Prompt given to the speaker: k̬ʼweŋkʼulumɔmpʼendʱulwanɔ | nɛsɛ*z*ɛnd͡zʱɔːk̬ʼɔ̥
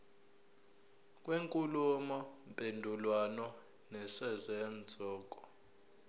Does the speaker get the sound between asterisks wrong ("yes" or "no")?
no